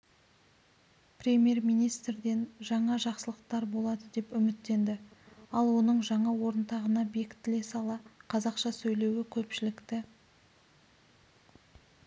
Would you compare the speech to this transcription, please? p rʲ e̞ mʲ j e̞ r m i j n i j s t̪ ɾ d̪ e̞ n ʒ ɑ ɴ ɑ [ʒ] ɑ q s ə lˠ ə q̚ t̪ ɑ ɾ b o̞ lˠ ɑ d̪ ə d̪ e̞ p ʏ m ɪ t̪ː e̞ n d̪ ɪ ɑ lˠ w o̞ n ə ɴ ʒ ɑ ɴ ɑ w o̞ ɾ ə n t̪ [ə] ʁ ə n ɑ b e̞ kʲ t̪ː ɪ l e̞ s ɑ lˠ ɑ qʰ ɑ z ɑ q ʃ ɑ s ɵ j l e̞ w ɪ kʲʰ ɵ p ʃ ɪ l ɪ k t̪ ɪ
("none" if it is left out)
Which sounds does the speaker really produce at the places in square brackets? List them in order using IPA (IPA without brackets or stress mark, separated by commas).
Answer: ʒ, ɑ